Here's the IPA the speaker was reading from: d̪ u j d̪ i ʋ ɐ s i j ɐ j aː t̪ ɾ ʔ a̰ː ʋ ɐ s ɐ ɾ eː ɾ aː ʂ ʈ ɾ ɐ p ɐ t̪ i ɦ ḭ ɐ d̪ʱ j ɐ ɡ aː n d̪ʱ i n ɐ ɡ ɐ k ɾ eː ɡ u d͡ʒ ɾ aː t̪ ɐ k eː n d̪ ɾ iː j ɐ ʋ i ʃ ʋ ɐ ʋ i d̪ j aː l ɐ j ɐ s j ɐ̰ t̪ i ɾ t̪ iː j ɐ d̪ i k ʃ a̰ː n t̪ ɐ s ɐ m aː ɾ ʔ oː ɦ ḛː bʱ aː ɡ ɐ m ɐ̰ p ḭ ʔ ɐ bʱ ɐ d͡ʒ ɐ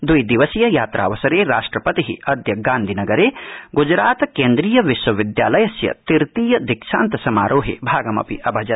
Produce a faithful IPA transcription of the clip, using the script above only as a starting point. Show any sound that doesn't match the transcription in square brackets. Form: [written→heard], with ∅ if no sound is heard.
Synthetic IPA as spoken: d̪ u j d̪ i ʋ ɐ s i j ɐ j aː t̪ ɾ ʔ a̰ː ʋ ɐ s ɐ ɾ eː ɾ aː ʂ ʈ ɾ ɐ p ɐ t̪ i ɦ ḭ ɐ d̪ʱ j ɐ ɡ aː n d̪ʱ i n ɐ ɡ ɐ [k→∅] ɾ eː ɡ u d͡ʒ ɾ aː t̪ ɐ k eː n d̪ ɾ iː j ɐ ʋ i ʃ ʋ ɐ ʋ i d̪ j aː l ɐ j ɐ s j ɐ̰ t̪ i ɾ t̪ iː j ɐ d̪ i k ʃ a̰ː n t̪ ɐ s ɐ m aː ɾ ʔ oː ɦ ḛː bʱ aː ɡ ɐ m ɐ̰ p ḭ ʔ ɐ bʱ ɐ d͡ʒ ɐ